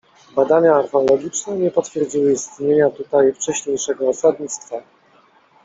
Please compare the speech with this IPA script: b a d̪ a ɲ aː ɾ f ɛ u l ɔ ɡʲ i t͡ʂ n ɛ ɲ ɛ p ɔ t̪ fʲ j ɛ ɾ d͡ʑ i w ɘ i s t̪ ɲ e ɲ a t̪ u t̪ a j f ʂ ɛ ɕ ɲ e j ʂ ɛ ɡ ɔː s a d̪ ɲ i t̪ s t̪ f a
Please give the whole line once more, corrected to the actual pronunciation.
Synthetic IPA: b a d̪ a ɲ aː ɾ f ɛ ɔ l ɔ ɡʲ i t͡ʂ n ɛ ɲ ɛ p ɔ t̪ fʲ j ɛ ɾ d͡ʑ i w ɘ i s t̪ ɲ e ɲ a t̪ u t̪ a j f t͡ʂ ɛ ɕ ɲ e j ʂ ɛ ɡ ɔː s a d̪ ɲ i t̪ s t̪ f a